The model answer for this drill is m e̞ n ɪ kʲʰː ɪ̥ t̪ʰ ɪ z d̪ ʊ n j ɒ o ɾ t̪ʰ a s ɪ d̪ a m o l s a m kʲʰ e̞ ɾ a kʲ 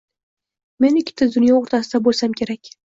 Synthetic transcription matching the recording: m e̞ n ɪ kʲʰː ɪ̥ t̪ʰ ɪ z d̪ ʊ n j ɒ o ɾ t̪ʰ a s ɪ d̪ a b o l s a m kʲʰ e̞ ɾ a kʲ